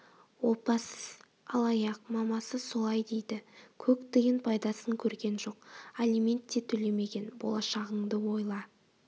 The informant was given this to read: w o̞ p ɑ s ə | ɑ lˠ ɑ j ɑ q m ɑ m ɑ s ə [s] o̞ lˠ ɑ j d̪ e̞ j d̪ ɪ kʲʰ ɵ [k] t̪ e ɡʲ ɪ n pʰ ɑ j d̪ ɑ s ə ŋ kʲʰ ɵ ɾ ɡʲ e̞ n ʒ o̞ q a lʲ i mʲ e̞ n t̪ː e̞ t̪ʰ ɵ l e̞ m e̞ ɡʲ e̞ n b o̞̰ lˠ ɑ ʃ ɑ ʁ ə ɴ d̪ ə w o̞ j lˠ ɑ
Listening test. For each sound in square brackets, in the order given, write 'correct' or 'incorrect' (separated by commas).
correct, correct